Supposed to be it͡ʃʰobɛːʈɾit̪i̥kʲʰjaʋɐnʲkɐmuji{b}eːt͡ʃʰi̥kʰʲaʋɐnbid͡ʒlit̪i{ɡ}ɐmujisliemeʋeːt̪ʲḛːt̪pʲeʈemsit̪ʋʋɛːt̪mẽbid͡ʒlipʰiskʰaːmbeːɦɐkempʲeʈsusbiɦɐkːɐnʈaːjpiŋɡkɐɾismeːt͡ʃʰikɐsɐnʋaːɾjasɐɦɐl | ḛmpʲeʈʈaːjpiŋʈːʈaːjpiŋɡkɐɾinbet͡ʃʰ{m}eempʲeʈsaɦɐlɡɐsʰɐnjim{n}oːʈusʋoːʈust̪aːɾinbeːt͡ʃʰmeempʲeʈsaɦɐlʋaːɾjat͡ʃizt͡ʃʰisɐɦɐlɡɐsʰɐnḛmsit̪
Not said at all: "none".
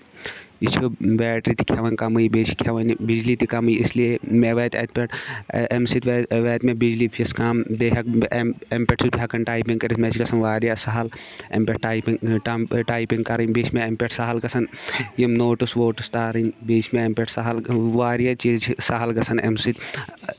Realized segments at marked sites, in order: b, k, m, n

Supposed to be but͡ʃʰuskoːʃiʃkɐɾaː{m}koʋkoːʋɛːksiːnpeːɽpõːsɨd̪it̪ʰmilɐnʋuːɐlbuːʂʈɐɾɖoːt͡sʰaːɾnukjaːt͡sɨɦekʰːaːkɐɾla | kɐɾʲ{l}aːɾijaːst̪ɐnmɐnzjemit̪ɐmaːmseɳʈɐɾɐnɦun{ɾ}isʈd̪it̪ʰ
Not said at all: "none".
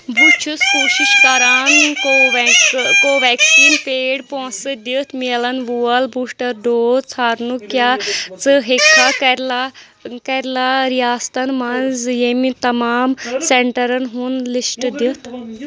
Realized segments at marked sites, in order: n, l, l

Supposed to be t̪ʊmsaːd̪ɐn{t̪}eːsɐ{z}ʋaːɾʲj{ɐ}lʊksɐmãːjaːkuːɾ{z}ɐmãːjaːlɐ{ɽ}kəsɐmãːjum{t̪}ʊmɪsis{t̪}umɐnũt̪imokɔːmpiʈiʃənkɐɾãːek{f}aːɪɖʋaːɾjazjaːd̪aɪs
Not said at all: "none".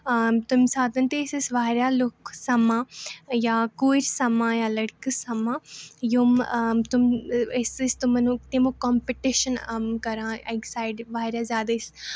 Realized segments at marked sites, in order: t̪, s, a, s, ɽ, t̪, t̪, s

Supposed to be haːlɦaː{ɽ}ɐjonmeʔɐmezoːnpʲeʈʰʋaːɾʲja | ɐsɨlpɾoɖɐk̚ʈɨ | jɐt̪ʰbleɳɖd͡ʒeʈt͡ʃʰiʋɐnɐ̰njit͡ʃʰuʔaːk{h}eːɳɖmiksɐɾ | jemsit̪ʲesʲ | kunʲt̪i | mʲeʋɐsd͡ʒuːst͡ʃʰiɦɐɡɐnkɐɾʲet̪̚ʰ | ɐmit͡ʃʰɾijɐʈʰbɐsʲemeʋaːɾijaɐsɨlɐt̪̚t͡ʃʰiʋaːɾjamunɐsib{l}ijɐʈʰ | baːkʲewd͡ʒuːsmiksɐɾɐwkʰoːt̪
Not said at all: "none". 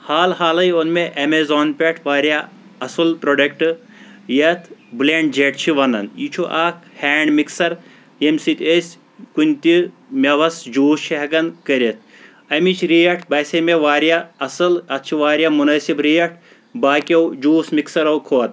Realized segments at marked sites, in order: l, h, ɾ

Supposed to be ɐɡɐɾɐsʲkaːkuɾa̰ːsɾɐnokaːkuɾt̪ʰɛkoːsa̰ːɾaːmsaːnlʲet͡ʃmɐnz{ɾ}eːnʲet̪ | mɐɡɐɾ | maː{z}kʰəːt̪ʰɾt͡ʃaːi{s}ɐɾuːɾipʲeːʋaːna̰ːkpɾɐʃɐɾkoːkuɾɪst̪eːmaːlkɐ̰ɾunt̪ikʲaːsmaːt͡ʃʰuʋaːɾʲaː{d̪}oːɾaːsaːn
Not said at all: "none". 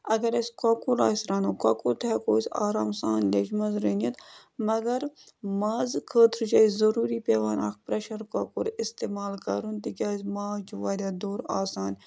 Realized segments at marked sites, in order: ɾ, z, z, d̪

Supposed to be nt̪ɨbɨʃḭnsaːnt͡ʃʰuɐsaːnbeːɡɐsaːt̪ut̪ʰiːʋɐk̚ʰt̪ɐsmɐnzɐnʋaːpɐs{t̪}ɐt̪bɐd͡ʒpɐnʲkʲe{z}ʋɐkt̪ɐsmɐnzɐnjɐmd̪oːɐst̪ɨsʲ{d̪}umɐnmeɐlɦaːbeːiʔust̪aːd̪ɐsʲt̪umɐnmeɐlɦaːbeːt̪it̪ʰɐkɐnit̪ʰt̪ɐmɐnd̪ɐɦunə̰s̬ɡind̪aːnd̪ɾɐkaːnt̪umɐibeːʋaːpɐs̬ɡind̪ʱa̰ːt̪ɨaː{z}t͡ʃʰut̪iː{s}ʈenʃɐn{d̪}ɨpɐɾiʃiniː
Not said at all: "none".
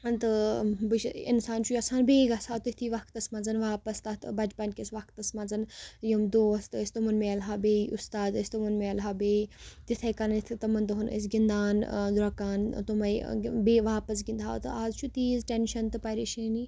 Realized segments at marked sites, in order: t̪, s, t̪, z, z, t̪

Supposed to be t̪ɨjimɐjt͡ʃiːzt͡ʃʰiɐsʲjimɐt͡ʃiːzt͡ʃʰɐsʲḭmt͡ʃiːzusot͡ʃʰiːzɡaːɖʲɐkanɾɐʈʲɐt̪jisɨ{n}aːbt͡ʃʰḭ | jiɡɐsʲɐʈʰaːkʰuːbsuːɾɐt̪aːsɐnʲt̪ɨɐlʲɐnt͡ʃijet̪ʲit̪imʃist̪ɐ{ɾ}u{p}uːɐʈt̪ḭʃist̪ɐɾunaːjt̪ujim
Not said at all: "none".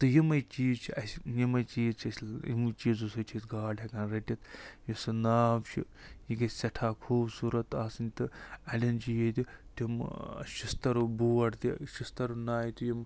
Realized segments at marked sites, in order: n, ɾ, b

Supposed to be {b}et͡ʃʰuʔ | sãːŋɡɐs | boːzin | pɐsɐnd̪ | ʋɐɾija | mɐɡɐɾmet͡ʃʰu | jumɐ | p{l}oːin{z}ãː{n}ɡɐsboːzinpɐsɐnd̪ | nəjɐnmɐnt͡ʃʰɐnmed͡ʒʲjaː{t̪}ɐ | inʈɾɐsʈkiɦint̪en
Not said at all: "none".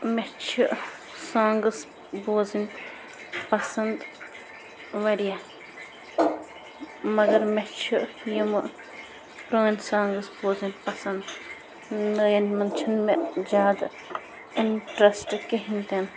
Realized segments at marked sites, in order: m, ɾ, s, ŋ, d̪

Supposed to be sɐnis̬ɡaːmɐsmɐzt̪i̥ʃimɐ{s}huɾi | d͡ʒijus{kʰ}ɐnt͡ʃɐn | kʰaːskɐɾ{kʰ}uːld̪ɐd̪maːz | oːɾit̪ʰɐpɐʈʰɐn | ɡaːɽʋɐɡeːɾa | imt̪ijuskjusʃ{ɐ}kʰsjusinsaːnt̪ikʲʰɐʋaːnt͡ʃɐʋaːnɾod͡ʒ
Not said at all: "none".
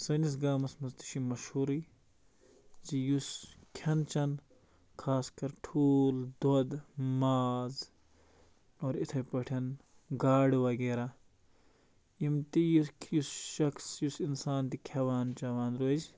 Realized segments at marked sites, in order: ʃ, kʰ, ʈʰ, ɐ

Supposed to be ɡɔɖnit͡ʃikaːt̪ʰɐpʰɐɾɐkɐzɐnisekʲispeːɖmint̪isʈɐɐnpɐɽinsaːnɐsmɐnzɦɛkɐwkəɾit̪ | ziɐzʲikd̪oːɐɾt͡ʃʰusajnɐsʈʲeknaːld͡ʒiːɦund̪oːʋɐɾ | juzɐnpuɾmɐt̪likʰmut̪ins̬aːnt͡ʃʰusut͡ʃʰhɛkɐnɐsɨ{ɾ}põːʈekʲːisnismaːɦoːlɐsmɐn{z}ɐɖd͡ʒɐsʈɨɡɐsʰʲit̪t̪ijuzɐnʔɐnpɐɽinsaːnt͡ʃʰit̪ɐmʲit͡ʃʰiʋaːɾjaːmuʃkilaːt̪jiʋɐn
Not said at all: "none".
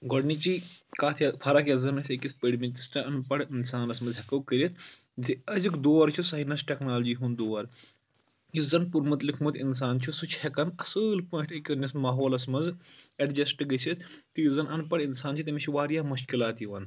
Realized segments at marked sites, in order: l, z

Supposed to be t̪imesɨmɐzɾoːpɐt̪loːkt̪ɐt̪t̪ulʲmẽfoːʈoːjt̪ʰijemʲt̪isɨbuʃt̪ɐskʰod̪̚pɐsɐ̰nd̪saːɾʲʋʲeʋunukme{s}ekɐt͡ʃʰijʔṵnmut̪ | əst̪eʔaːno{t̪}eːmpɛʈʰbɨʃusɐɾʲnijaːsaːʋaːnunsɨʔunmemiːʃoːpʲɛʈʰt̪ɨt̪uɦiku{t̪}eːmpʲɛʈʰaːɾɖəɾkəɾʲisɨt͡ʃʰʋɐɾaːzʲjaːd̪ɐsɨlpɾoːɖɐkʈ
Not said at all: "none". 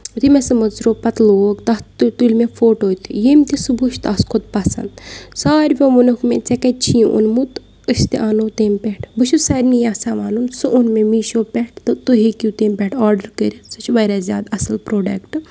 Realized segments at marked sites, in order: t͡s, t̪, t̪

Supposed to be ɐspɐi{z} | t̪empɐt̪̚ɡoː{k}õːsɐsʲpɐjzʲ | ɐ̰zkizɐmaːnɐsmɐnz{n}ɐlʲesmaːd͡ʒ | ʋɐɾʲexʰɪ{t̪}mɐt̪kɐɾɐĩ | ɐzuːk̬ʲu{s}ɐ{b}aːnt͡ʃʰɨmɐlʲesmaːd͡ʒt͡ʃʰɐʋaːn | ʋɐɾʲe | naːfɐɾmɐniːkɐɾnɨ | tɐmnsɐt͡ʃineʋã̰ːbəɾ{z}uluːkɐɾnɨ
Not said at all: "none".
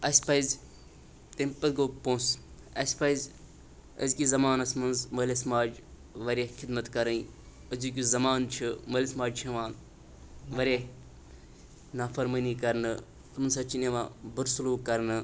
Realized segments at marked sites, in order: z, p, m, d̪, z, m, s

